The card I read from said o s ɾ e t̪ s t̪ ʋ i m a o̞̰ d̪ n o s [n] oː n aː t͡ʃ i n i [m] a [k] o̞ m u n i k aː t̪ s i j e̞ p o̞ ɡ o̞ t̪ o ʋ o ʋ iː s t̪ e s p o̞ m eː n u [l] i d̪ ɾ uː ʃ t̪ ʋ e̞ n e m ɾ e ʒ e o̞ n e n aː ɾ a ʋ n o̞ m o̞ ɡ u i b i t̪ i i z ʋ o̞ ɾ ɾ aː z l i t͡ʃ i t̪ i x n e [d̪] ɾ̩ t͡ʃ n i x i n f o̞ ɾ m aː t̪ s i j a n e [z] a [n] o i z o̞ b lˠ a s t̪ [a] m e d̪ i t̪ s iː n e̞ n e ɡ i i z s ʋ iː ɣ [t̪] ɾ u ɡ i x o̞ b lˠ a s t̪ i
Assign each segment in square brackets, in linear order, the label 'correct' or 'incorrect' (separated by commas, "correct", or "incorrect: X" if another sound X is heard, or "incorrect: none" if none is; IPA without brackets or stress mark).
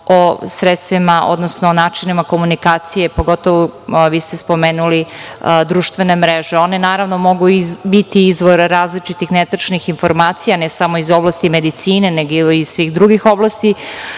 correct, correct, correct, correct, incorrect: t̪, incorrect: s, incorrect: m, incorrect: i, incorrect: d̪